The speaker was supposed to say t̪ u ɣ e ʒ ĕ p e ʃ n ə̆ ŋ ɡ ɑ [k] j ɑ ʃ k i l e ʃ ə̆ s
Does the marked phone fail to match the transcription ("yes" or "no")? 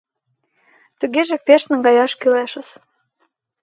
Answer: yes